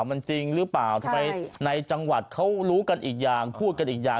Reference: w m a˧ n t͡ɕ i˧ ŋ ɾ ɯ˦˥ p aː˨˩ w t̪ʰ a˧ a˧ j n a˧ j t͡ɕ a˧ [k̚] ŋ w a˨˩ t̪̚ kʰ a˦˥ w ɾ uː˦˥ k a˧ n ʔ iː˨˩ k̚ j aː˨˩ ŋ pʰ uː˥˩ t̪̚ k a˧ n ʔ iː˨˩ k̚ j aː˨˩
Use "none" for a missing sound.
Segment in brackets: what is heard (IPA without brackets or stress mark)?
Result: none